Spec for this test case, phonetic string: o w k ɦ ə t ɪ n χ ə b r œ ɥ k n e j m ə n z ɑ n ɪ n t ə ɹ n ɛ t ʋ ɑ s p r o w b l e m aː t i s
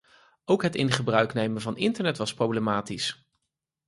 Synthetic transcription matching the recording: o w k ɦ ə t ɪ n χ ə b r œ ɥ k n e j m ə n v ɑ n ɪ n t ə ɹ n ɛ t ʋ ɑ s p r o w b l e m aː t i s